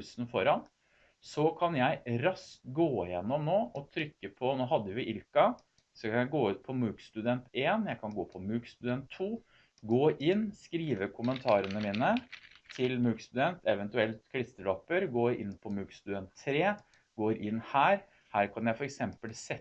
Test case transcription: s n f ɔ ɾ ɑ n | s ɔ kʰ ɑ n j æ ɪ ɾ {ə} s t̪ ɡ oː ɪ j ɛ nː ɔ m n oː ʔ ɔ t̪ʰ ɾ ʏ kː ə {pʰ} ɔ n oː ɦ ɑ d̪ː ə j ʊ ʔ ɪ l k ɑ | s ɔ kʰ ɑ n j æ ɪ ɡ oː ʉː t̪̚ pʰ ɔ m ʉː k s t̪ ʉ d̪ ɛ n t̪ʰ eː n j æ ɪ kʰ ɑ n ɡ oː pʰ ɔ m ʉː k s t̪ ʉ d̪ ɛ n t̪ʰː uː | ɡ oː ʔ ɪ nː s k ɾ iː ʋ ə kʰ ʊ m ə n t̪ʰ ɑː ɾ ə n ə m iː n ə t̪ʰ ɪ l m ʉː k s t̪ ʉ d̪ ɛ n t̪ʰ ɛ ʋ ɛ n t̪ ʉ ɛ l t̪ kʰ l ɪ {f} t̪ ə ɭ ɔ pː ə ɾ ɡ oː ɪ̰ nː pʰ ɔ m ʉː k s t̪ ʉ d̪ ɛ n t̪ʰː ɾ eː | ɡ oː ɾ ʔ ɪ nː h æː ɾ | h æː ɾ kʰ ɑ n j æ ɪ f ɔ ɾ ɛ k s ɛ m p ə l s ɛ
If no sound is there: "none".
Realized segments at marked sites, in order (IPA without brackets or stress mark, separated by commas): ɑ, pʰ, s